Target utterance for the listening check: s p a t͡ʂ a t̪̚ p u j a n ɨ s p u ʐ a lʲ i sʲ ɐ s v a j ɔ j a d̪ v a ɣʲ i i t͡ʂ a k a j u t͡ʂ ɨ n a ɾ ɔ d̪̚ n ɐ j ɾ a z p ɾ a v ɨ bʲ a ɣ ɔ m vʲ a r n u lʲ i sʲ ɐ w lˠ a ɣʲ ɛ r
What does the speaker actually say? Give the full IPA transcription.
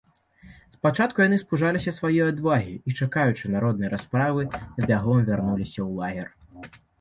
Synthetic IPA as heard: s p a t͡ʂ a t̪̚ k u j a n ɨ s p u ʐ a lʲ i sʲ ɐ s v a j ɔ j a d̪ v a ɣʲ i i t͡ʂ a k a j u t͡ʂ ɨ n a ɾ ɔ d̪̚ n ɐ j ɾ a s p ɾ a v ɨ bʲ a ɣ ɔ m vʲ a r n u lʲ i sʲ ɐ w lˠ a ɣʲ ɛ r